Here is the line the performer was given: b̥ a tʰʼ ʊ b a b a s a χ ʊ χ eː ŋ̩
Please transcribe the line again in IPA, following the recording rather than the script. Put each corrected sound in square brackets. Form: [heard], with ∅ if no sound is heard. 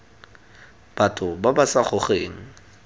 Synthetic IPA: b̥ a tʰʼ ʊ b a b a s a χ ʊ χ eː ŋ̩